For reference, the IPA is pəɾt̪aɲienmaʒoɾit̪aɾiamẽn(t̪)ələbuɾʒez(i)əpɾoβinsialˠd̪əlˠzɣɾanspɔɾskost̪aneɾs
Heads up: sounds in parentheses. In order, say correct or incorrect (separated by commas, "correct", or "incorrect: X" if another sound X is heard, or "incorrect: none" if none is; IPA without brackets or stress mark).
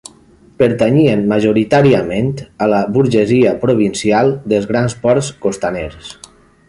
correct, correct